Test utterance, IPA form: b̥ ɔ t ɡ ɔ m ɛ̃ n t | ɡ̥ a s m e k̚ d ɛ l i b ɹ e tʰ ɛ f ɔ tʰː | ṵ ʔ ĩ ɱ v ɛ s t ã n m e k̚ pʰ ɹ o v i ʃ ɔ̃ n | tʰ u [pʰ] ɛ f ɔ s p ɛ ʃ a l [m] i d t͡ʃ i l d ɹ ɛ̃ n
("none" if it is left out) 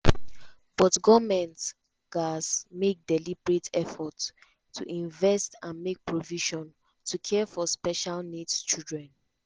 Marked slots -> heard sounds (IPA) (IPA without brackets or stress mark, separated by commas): kʰ, n